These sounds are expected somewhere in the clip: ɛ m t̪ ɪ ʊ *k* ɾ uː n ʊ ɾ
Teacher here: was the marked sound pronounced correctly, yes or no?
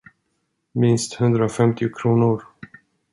no